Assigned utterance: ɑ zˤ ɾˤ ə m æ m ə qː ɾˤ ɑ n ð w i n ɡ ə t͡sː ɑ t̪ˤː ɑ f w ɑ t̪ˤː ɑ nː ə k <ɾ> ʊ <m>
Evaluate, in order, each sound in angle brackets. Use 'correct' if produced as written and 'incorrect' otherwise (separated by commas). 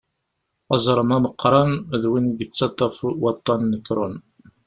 correct, incorrect